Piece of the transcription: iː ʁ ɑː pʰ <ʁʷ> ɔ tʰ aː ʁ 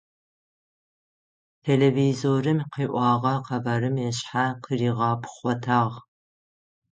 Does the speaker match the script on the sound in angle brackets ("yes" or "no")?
no